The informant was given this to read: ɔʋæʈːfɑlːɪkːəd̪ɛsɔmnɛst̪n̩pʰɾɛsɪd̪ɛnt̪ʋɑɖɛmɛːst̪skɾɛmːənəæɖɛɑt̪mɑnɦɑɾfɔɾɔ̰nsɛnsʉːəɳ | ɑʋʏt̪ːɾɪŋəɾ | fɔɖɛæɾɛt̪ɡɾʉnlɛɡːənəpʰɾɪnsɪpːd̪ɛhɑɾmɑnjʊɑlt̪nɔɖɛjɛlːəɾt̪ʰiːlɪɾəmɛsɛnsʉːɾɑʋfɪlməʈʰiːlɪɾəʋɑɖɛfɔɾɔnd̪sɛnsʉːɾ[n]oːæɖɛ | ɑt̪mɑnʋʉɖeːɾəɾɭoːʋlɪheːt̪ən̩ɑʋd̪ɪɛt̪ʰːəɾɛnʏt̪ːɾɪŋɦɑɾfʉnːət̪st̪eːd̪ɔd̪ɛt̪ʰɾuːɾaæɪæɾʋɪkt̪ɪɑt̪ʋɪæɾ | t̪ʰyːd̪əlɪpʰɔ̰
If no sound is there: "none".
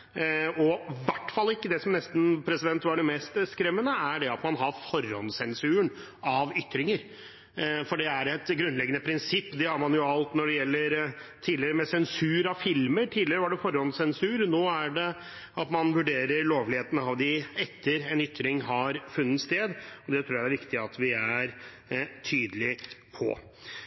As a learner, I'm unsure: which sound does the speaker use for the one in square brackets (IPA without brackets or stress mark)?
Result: n